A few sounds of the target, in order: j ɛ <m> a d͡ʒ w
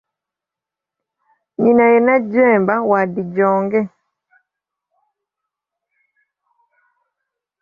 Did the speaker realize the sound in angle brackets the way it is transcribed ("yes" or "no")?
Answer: no